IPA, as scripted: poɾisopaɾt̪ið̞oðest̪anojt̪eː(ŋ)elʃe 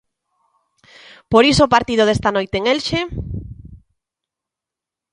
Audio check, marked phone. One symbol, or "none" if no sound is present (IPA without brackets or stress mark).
ŋ